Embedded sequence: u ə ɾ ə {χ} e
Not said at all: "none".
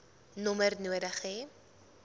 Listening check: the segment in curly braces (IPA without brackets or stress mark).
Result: χ